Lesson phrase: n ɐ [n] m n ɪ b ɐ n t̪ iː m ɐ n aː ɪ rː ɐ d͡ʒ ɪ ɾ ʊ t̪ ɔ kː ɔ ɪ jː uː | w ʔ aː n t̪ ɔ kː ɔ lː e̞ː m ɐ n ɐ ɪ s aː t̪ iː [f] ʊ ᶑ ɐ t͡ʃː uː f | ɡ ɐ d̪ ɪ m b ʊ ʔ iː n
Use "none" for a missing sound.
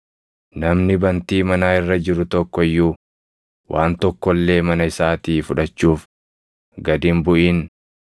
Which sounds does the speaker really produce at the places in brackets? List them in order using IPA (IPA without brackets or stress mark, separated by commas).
none, f